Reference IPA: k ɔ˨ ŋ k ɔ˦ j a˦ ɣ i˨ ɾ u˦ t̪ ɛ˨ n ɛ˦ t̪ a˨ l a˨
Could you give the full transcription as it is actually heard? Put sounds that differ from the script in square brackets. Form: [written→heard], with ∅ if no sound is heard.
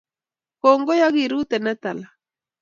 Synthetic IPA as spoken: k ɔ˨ ŋ [k→ɡ] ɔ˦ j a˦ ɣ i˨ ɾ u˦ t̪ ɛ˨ n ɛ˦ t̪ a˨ l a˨